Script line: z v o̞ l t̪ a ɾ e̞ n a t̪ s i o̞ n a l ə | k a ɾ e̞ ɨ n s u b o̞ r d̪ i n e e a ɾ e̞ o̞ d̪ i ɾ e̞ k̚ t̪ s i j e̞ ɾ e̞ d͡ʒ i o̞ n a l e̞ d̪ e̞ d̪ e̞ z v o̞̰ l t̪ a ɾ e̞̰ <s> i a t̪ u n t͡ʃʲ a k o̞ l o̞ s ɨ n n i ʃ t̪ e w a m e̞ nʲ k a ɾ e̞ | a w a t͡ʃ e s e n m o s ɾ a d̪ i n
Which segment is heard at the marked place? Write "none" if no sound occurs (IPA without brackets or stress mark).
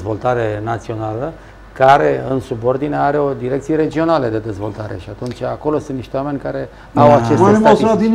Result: ʃ